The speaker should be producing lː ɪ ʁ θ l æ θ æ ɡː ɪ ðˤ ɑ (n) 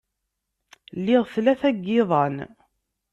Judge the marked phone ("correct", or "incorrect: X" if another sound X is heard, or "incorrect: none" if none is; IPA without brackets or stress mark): correct